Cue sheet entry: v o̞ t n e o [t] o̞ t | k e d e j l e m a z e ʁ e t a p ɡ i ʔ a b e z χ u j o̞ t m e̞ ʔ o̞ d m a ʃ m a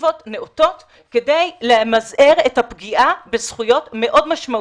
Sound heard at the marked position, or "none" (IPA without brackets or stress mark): t